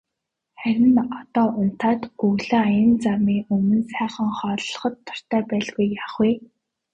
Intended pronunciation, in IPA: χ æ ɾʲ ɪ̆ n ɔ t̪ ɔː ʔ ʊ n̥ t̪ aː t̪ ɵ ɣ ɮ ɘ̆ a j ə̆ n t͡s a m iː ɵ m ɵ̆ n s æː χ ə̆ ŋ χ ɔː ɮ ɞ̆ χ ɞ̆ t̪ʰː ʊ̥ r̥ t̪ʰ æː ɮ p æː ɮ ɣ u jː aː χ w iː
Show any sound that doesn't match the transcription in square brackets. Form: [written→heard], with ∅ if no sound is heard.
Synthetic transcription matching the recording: χ æ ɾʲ ɪ̆ n ɔ t̪ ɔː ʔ ʊ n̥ t̪ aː t̪ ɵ ɣ ɮ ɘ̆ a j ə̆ n t͡s a m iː ɵ m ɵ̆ n s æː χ ə̆ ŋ χ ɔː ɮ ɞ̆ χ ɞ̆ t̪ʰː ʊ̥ r̥ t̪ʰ æː [ɮ→∅] p æː ɮ ɣ u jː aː χ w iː